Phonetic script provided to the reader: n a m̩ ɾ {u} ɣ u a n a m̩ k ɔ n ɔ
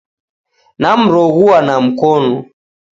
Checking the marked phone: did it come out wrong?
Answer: yes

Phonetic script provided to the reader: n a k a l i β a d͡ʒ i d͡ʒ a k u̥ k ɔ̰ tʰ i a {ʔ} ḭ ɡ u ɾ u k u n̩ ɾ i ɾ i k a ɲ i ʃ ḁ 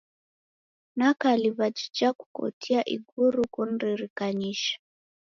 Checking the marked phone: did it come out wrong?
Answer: no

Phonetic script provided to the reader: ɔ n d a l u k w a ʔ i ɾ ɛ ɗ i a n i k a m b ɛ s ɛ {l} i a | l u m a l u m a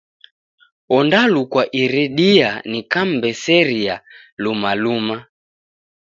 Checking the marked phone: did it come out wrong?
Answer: yes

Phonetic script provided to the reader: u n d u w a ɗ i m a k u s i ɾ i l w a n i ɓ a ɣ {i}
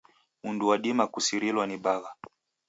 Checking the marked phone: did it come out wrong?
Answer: yes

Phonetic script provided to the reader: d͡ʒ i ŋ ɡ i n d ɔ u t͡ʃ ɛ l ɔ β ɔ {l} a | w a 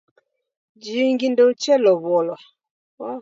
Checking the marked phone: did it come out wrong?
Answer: no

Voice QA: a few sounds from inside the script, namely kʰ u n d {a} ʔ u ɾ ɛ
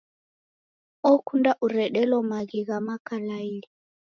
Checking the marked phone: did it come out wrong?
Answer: no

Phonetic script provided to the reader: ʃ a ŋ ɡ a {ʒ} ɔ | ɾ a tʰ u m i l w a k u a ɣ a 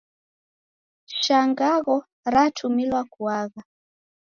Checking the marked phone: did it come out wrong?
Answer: yes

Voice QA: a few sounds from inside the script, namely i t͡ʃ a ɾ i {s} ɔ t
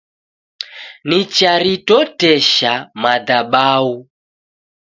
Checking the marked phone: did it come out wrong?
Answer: yes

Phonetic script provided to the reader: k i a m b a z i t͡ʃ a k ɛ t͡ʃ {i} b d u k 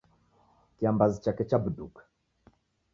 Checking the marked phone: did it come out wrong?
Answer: yes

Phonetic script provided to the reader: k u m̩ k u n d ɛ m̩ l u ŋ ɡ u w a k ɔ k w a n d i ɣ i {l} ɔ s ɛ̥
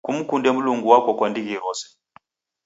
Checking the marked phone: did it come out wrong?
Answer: yes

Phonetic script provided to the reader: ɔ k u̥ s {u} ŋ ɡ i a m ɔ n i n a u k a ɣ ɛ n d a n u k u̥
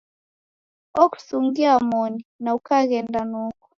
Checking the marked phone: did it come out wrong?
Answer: no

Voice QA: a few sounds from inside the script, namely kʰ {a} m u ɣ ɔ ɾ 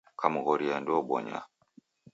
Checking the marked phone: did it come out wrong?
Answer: no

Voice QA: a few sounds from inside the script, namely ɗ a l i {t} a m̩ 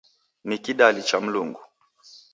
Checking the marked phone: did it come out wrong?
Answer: yes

